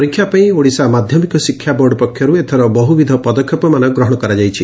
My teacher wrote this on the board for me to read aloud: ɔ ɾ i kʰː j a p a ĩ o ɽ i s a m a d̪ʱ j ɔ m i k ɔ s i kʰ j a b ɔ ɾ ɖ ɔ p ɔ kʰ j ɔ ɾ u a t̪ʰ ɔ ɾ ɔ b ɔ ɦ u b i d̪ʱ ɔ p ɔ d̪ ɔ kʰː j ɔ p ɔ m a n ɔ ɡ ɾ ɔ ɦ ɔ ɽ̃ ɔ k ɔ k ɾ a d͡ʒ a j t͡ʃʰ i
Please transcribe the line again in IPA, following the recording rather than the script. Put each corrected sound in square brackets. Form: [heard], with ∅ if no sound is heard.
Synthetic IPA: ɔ ɾ i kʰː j a p a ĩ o ɽ i s a m a d̪ʱ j ɔ m i k ɔ s i kʰ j a b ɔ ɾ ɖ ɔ p ɔ kʰ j ɔ ɾ u [e] t̪ʰ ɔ ɾ ɔ b ɔ ɦ u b i d̪ʱ ɔ p ɔ d̪ ɔ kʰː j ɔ p ɔ m a n ɔ ɡ ɾ ɔ ɦ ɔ ɽ̃ ɔ k ɔ [∅] ɾ a d͡ʒ a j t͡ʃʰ i